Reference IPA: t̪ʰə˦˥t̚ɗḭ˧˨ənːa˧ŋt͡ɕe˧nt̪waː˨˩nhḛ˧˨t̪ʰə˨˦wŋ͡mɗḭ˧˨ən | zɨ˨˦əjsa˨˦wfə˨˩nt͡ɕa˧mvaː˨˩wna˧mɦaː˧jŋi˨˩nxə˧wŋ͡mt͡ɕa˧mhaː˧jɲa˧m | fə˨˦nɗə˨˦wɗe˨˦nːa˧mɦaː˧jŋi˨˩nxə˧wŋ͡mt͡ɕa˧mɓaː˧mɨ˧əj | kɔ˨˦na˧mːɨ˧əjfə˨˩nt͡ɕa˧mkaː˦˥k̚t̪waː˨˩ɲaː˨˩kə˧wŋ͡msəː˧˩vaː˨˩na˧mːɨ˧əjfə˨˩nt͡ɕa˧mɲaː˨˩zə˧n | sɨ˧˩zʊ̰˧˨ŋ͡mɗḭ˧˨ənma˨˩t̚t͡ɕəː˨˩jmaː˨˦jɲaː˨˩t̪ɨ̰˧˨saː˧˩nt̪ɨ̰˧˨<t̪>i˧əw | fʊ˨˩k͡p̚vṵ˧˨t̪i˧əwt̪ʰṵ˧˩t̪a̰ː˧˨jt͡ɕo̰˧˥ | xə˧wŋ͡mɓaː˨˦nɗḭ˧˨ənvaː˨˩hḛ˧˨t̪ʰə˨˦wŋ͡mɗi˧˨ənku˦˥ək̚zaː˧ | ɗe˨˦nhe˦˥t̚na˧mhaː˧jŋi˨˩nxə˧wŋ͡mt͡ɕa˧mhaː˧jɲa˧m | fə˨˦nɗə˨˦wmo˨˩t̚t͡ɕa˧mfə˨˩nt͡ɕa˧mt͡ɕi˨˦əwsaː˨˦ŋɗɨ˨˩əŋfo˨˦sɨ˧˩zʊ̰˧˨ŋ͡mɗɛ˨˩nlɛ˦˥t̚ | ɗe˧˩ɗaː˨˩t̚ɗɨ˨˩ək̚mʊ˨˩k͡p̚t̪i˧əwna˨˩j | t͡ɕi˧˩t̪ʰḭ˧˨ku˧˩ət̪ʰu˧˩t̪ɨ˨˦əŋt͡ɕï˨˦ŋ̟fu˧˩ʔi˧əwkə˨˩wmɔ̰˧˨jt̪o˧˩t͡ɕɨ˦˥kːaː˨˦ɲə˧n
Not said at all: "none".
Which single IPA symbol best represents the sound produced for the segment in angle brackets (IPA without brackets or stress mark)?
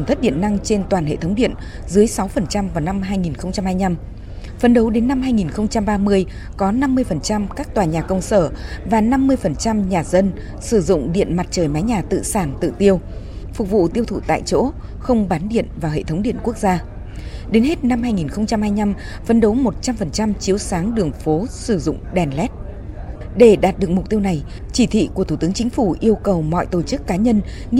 t̪